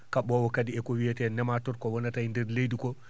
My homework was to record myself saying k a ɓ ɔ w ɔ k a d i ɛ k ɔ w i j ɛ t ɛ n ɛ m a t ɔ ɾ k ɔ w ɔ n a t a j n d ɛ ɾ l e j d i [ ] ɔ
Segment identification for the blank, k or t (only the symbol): k